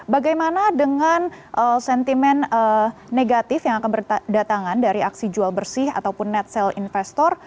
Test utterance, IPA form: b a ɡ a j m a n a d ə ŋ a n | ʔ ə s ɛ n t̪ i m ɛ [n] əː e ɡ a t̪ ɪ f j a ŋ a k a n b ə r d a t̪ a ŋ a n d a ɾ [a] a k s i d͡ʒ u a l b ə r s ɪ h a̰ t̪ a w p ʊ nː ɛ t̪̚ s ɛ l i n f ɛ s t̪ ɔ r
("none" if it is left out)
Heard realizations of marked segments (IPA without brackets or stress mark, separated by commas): n, i